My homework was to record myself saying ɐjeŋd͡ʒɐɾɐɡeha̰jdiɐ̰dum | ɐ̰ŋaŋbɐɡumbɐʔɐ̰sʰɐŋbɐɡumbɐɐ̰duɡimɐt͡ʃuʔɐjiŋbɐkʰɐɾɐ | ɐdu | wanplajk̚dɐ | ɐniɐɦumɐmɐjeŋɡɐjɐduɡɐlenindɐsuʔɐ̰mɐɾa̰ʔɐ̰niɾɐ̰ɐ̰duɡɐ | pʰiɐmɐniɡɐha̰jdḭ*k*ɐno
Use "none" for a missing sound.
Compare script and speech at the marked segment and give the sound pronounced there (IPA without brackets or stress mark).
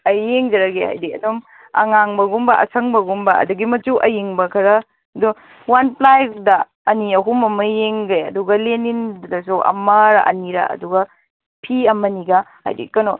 k